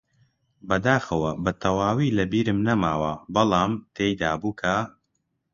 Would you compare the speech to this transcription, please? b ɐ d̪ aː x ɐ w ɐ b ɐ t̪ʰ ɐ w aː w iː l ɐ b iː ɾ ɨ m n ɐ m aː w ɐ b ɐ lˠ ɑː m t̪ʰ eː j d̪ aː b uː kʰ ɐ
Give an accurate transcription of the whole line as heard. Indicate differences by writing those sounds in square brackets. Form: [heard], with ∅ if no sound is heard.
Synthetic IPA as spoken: b ɐ d̪ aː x ɐ w ɐ b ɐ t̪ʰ ɐ w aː w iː l ɐ b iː ɾ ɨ m n ɐ m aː w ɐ b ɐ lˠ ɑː m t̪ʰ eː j d̪ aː b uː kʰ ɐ